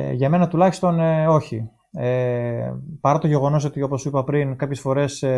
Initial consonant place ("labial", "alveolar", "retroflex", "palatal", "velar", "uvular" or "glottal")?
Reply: palatal